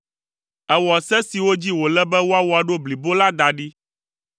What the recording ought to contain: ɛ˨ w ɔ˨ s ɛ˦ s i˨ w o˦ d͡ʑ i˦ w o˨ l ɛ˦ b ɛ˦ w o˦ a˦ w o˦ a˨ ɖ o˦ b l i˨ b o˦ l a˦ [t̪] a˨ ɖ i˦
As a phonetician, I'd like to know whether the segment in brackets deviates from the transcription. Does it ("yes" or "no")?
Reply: yes